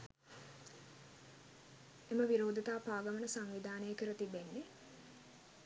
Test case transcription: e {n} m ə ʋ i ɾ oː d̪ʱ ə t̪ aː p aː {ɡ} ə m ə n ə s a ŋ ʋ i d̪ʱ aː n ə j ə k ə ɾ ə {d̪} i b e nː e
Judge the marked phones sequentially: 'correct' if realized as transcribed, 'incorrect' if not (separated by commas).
incorrect, correct, incorrect